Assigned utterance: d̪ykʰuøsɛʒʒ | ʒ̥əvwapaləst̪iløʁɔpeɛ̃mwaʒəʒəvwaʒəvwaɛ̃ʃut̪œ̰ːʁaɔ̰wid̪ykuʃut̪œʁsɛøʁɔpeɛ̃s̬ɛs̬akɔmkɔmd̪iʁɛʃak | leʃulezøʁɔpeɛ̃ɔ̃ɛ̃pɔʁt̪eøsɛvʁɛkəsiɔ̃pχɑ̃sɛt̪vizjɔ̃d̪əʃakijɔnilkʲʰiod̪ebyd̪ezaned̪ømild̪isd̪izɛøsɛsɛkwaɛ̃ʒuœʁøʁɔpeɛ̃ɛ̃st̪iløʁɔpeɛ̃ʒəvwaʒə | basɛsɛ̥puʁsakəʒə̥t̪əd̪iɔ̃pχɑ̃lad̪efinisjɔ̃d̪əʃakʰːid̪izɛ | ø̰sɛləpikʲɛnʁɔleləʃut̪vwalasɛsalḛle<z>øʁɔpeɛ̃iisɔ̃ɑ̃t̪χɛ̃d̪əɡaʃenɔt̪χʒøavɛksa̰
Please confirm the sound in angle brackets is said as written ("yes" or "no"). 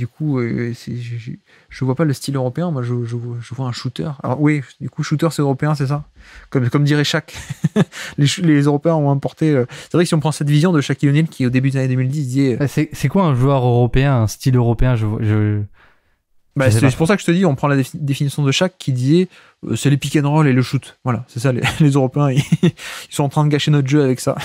yes